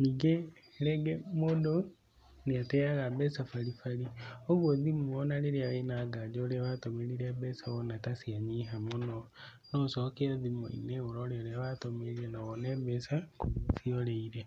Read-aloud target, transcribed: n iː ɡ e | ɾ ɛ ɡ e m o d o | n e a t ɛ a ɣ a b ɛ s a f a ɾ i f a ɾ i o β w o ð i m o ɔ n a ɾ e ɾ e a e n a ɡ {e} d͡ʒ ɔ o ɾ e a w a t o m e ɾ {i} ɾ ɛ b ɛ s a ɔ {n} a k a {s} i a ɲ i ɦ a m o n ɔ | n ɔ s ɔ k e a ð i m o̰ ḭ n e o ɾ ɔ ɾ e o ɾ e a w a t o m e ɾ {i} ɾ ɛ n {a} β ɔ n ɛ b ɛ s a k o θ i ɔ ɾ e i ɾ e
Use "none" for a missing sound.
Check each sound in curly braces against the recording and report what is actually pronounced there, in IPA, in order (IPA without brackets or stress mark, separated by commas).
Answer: a, i, n, s, i, a